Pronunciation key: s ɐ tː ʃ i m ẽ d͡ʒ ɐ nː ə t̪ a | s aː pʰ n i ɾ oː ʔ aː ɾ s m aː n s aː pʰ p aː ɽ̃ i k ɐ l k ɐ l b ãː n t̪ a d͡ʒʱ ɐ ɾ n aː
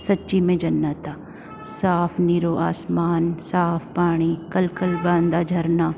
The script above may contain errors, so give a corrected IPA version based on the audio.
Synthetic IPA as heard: s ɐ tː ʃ i m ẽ d͡ʒ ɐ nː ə t̪ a | s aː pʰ n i ɾ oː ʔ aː s m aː n s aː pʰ p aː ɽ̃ i k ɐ l k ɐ l b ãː n d̪ a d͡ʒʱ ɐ ɾ n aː